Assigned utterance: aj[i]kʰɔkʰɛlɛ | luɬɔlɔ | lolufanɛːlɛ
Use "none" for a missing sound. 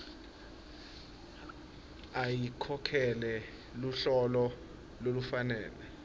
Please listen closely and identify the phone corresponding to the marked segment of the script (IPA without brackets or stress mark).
i